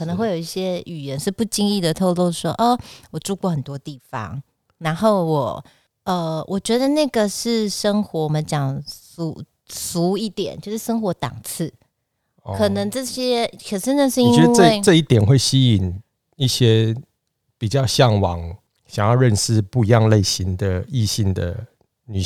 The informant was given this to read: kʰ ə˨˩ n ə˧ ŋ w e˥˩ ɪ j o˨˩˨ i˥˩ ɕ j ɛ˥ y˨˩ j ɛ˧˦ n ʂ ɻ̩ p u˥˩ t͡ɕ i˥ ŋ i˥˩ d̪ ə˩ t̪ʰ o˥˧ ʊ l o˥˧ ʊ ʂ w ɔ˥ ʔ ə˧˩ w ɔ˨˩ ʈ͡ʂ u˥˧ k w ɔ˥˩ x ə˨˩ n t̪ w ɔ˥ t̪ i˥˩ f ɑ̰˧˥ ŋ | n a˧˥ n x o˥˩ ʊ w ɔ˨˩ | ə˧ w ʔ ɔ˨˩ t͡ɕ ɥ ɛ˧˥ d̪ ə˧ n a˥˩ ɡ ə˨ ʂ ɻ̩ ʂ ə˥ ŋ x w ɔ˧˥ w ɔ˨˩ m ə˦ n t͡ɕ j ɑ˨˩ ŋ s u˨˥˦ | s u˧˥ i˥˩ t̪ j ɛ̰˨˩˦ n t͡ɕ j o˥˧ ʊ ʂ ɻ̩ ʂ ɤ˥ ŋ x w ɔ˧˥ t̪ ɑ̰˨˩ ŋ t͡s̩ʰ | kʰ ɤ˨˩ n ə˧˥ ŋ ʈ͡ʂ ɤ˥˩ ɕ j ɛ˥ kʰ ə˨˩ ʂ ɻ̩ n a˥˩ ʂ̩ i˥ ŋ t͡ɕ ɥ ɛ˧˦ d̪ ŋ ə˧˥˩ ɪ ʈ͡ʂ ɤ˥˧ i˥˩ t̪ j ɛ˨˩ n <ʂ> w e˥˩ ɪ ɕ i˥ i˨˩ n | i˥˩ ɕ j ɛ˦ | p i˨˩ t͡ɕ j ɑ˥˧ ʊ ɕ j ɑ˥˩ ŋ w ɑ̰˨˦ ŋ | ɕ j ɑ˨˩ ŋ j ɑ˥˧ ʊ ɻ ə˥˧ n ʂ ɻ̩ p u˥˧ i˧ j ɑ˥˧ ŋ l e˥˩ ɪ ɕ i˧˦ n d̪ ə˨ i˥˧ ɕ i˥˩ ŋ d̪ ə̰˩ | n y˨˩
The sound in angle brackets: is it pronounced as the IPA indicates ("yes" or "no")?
no